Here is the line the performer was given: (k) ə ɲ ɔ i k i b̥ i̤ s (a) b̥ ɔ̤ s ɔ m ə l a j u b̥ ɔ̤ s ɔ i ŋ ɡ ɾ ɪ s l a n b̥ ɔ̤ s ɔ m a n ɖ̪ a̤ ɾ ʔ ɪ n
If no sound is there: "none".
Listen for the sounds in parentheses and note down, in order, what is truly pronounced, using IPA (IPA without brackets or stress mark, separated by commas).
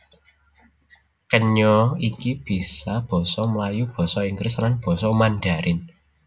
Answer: k, a